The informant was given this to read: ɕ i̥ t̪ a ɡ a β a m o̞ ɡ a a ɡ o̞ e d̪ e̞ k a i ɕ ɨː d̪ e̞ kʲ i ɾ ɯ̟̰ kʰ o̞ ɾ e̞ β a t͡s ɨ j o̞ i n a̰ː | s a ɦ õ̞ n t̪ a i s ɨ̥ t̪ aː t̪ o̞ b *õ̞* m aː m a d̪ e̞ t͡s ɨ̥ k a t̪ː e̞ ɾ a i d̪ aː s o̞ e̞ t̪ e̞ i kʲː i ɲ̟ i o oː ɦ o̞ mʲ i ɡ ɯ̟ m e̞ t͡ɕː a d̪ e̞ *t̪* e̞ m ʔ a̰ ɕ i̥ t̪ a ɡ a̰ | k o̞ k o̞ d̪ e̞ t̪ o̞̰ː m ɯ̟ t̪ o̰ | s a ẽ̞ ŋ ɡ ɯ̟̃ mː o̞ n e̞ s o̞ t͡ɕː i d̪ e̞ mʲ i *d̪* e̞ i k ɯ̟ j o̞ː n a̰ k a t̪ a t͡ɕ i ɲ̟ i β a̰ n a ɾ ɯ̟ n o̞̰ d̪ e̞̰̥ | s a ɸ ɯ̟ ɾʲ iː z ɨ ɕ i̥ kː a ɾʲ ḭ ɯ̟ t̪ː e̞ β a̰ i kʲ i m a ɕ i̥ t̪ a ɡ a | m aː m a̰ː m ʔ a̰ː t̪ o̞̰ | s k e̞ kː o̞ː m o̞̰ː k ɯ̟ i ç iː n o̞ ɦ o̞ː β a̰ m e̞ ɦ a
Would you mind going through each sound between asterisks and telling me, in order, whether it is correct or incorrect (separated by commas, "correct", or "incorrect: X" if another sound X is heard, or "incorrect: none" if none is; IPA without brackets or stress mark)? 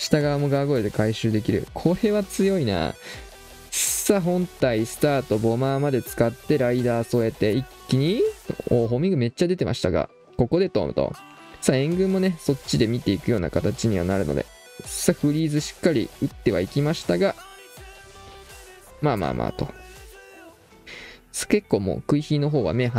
incorrect: o̞, correct, incorrect: t̪